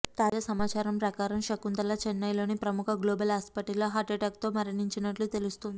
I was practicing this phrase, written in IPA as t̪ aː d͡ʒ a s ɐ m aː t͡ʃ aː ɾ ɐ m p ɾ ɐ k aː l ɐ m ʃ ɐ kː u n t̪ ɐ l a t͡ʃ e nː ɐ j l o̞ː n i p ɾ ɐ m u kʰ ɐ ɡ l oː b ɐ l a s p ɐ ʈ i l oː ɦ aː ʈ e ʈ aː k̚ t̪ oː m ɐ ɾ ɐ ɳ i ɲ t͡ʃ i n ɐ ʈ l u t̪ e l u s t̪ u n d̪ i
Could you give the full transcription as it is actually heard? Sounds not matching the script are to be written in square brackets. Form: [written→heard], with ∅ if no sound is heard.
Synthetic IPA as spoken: t̪ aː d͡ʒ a s ɐ m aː t͡ʃ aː ɾ ɐ m p ɾ ɐ k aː [l→ɾ] ɐ m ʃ ɐ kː u n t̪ ɐ l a t͡ʃ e nː ɐ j l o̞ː n i p ɾ ɐ m u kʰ ɐ ɡ l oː b ɐ l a s p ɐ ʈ i l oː ɦ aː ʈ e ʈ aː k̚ t̪ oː m ɐ ɾ ɐ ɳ i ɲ t͡ʃ i n ɐ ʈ l u t̪ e l u s t̪ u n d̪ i